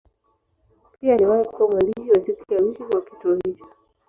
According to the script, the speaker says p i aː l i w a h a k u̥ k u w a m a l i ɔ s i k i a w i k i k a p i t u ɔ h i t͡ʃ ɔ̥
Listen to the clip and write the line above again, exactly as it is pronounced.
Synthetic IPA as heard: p i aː l i w a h i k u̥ k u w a m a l i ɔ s i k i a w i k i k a k i t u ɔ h i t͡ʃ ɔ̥